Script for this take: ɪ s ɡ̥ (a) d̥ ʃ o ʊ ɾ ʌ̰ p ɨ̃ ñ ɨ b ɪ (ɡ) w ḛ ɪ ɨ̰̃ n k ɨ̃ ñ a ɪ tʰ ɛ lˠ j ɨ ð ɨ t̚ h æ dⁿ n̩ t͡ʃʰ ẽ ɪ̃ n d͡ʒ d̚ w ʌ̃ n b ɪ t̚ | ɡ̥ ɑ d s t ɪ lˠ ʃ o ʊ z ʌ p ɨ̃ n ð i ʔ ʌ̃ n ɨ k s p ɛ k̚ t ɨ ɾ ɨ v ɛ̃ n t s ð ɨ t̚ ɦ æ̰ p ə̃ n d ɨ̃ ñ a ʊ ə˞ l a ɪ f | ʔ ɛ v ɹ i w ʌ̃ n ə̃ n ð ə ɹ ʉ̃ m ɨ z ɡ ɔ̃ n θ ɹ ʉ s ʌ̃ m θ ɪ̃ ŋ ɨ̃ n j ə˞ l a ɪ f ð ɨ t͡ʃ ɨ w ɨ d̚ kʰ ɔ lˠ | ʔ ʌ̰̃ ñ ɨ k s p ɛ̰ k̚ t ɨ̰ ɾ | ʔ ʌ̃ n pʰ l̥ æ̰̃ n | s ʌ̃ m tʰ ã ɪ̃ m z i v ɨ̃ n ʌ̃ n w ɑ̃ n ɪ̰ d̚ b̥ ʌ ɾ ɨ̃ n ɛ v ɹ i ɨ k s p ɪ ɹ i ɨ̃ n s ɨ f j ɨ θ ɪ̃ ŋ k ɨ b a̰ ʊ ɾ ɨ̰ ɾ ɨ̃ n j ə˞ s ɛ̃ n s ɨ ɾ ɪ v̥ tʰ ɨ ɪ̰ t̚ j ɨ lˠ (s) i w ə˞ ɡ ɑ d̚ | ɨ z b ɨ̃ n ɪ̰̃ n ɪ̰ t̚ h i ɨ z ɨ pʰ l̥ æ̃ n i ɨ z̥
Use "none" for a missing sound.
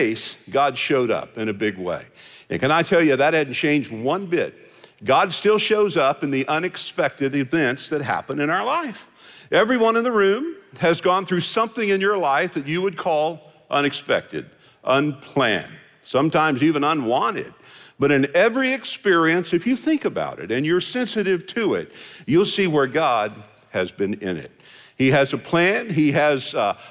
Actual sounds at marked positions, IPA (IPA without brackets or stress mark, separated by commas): ɑ, ɡ, s